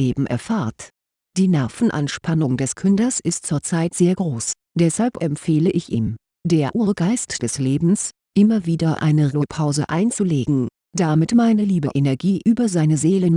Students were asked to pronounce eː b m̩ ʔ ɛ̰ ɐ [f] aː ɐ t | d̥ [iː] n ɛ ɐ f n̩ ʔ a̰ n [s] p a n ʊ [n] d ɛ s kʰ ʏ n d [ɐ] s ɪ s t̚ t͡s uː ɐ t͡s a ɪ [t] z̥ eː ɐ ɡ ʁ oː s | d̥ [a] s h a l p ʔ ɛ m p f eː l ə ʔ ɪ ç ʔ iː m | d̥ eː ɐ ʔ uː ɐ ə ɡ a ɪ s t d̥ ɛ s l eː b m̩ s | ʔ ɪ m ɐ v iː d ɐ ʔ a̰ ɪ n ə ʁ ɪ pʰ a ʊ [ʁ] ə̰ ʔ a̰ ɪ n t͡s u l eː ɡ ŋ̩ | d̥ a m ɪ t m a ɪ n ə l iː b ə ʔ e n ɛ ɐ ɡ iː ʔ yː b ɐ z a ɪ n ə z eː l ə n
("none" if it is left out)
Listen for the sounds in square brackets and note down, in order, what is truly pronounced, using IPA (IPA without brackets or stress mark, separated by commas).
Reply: f, iː, ʃ, ŋ, ɐ, t, ɛ, z